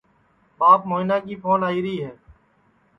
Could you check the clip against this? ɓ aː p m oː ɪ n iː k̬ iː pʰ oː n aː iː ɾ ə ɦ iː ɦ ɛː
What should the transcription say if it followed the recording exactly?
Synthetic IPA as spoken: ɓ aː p m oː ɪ n aː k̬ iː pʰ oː n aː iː ɾ ə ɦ iː ɦ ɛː